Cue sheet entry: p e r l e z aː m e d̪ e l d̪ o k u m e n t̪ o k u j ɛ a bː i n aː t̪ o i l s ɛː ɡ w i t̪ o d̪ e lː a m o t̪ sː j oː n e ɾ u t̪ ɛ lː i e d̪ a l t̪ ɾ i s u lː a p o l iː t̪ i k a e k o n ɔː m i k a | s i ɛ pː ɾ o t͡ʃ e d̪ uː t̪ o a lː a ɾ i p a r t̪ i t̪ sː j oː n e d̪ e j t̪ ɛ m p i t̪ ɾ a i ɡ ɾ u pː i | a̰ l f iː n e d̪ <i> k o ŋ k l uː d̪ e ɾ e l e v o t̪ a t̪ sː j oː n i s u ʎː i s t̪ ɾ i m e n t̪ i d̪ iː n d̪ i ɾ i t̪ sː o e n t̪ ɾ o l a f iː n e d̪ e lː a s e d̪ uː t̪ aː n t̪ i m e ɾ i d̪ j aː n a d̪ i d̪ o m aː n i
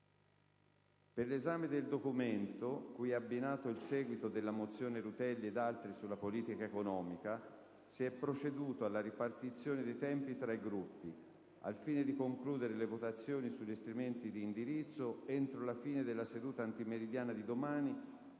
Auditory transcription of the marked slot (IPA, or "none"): i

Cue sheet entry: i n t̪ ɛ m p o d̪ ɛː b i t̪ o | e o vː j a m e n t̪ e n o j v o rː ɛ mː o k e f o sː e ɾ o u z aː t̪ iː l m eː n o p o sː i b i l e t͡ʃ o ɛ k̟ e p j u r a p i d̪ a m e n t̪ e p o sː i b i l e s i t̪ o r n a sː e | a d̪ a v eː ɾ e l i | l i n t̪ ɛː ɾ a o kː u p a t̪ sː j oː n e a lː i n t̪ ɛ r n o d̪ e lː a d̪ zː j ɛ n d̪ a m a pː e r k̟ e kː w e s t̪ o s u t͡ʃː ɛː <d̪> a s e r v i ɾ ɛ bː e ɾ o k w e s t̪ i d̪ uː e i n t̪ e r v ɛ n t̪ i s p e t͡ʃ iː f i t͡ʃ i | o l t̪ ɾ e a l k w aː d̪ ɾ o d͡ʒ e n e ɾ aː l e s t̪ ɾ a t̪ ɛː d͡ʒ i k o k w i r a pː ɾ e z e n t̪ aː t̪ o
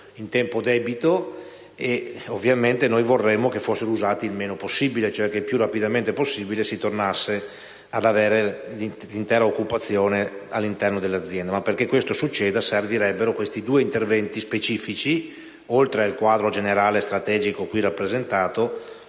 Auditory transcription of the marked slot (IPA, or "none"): d̪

